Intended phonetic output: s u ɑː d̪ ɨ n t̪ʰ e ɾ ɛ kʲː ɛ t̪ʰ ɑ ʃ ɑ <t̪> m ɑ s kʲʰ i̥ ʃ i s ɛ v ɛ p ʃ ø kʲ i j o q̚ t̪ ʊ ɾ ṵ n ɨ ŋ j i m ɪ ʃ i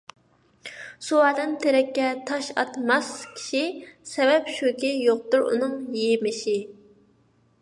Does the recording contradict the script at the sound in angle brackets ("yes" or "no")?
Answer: no